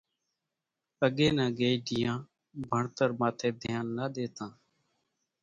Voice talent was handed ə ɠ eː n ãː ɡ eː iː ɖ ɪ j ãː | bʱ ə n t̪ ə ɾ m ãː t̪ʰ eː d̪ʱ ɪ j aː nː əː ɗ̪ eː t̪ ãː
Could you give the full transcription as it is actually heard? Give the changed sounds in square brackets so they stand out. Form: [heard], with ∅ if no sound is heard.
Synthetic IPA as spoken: ə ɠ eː n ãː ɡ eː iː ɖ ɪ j ãː | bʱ ə [ɳ] t̪ ə ɾ m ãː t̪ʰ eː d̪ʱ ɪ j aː nː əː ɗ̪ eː t̪ ãː